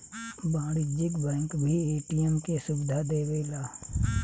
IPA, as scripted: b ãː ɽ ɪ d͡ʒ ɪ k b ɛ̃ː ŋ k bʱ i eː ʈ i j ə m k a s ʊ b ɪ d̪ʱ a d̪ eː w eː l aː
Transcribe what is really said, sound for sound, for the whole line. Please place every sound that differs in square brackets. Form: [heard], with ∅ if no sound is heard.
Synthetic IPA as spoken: b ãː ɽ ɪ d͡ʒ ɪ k b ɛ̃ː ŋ k bʱ i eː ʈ i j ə m k [e] s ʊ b ɪ d̪ʱ a d̪ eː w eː l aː